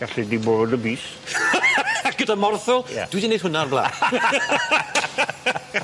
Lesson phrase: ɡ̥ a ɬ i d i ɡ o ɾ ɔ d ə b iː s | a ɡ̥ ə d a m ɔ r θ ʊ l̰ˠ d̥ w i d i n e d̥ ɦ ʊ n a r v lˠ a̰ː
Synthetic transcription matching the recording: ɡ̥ a ɬ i d i b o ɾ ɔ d ə b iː s | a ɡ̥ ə d a m ɔ r θ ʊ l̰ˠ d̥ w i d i n e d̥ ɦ ʊ n a r b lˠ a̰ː